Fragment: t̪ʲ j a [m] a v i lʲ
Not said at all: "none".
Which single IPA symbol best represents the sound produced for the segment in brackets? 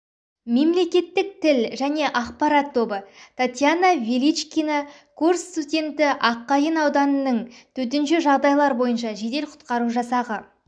n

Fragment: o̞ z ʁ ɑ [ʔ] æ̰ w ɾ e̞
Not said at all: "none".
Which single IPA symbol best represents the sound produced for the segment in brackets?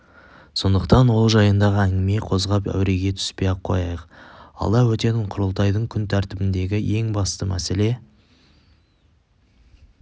p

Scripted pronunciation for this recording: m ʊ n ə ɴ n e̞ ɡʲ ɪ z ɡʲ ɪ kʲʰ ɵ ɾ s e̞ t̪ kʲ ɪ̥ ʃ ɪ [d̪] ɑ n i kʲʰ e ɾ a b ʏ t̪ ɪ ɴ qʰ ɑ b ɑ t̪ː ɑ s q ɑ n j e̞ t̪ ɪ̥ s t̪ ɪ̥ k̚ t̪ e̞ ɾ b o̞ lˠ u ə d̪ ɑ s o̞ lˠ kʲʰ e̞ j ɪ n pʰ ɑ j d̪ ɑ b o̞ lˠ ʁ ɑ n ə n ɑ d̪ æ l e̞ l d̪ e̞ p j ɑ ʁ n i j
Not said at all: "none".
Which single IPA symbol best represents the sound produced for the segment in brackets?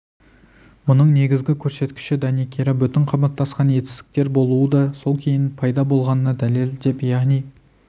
d̪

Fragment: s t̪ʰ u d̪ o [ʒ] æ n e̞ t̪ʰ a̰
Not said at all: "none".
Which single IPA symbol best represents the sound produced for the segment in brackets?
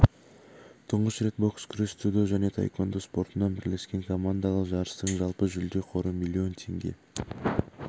ʒ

